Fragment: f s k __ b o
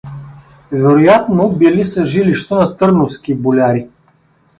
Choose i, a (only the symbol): i